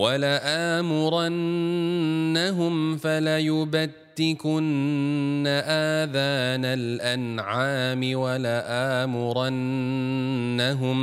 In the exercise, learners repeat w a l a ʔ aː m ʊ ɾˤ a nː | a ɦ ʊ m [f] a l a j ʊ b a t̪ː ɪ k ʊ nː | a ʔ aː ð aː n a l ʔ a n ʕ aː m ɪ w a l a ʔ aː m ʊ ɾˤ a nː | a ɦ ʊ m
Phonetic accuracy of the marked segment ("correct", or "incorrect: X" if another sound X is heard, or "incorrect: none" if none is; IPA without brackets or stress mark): correct